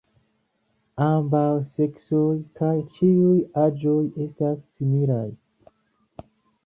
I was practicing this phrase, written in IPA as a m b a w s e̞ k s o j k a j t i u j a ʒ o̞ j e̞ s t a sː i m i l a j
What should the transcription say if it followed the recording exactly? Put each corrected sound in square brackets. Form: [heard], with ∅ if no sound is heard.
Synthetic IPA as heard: a m b a w s e̞ k s o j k a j [t͡ʃ] i u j a [d͡ʒ] o̞ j e̞ s t a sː i m i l a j